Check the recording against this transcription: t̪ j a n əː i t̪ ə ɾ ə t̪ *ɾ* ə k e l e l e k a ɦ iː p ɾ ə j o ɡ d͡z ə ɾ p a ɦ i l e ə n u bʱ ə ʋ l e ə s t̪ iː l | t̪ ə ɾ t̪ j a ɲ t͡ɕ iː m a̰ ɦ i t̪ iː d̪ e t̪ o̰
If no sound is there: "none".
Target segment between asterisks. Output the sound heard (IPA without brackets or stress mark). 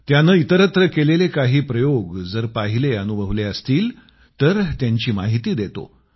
ɾ